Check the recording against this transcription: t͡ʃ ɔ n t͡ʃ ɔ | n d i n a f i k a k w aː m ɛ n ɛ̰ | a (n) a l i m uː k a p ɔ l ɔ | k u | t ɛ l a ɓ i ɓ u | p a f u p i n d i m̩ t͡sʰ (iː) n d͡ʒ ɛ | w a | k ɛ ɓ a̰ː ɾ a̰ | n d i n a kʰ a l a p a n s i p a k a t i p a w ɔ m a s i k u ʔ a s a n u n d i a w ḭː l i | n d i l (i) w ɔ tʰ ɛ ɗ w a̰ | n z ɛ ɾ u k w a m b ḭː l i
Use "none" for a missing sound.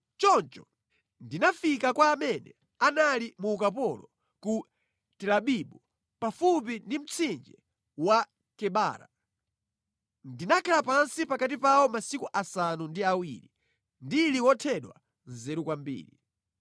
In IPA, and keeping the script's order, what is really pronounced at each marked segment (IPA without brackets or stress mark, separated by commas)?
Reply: n, i, i